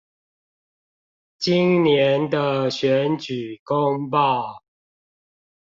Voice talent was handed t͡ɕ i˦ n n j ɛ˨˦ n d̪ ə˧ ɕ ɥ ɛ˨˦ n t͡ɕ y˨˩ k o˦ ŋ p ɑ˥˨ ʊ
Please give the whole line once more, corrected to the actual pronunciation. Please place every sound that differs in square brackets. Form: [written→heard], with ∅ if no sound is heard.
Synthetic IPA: t͡ɕ i˦ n n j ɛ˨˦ n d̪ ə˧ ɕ ɥ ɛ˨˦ n t͡ɕ y˨˩ k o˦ ŋ p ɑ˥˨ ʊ